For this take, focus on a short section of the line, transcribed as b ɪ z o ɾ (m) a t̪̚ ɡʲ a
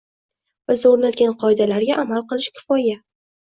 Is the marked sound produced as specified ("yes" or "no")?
no